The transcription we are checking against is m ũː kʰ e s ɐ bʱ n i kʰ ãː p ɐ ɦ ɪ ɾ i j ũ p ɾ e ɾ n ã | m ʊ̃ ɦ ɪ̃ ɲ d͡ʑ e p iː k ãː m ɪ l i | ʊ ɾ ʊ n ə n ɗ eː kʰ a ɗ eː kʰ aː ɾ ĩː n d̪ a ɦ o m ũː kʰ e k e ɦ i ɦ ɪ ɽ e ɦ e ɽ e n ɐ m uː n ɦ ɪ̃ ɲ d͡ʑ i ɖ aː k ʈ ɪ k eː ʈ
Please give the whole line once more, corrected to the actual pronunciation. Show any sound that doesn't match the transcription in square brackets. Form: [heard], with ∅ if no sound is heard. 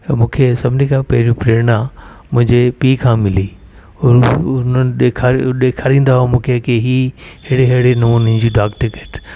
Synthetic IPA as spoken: m ũː kʰ e s ɐ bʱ n i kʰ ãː p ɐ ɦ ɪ ɾ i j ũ p ɾ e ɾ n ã | m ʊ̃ ɦ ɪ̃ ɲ d͡ʑ e p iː [kʰ] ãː m ɪ l i | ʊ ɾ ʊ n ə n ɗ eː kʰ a ɗ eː kʰ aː ɾ ĩː n d̪ a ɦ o m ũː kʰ e k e ɦ i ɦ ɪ ɽ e ɦ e ɽ e n ɐ m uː n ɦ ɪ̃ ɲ d͡ʑ i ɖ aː k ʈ ɪ k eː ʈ